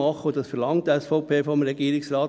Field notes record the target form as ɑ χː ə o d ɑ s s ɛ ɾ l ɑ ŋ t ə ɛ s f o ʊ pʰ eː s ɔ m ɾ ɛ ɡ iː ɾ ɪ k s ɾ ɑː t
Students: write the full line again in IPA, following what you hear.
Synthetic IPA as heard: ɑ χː ə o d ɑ s f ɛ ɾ l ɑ ŋ t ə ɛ s f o ʊ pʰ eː f ɔ m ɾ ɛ ɡ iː ɾ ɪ k s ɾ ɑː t